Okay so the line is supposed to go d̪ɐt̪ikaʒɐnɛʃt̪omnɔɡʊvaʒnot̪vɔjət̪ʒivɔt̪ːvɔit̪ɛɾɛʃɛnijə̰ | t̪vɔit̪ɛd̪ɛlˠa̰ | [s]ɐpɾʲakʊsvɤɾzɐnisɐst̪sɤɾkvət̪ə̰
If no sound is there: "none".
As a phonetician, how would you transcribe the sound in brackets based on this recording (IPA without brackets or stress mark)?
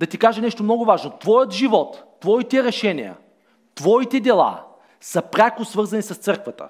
s